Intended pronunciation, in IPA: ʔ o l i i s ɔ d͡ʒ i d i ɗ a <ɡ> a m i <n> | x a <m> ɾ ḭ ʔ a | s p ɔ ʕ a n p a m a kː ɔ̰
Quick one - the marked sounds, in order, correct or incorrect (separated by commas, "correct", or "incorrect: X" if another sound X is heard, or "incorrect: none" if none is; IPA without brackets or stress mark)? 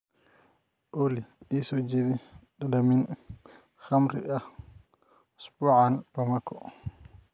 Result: incorrect: d, correct, correct